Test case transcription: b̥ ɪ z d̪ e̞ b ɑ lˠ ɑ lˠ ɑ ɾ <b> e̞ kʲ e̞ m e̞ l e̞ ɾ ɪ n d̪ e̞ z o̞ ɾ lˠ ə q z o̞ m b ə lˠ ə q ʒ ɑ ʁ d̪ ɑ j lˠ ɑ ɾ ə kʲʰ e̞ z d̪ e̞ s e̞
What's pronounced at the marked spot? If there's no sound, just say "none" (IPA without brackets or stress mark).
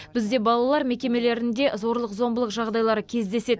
m